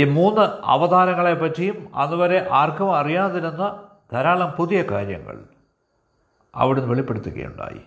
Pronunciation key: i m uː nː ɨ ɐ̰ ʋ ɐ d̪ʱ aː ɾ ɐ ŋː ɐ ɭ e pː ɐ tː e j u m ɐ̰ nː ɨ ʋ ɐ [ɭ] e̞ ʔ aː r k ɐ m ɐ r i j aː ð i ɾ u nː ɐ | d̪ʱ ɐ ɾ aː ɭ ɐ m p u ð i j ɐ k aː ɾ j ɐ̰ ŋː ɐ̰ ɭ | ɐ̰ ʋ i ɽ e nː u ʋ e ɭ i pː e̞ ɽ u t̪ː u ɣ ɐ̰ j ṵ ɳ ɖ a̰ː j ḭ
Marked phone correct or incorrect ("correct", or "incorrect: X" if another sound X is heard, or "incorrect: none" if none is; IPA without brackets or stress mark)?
incorrect: ɾ